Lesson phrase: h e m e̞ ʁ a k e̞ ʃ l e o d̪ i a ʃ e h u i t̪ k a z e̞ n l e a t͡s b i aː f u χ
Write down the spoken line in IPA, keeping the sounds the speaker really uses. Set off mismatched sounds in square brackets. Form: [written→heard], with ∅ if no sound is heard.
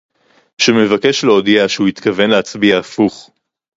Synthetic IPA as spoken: [h→ʃ] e m e̞ [ʁ→v] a k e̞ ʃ l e o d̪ i a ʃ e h u i t̪ k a [z→v] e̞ n l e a t͡s b i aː f u χ